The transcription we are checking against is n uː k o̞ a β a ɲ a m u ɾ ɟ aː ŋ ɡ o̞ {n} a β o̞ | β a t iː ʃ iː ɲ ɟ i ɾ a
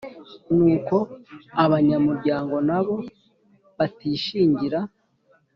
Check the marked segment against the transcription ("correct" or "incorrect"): correct